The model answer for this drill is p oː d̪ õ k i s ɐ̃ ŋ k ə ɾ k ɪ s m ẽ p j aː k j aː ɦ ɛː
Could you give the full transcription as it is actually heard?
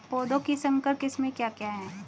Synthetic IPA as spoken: p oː d̪ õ k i s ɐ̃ ŋ k ə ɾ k ɪ s m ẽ k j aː k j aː ɦ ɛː